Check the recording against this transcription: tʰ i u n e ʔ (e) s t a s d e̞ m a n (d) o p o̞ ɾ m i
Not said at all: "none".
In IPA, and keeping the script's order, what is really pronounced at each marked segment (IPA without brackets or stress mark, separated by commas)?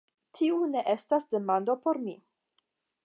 e, d